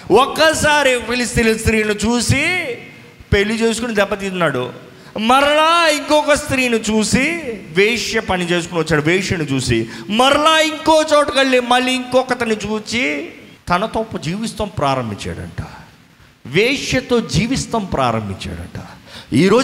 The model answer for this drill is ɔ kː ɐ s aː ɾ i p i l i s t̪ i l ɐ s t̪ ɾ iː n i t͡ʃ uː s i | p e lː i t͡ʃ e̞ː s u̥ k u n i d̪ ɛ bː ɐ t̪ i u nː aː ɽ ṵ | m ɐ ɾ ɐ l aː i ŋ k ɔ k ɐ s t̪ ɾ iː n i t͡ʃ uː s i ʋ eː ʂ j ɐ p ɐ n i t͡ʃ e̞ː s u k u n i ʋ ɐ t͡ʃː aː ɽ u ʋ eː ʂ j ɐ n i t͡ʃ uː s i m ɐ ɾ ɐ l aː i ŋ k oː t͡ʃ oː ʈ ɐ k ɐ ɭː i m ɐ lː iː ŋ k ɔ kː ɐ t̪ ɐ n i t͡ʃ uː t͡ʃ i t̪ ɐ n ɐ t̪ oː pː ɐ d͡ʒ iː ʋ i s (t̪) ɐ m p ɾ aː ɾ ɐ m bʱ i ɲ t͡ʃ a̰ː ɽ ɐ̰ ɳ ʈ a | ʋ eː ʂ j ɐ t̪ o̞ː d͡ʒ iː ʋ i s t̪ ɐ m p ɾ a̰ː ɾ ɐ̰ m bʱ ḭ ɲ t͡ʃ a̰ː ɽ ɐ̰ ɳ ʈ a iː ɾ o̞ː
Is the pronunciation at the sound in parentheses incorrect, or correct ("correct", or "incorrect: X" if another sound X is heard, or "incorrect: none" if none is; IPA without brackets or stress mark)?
correct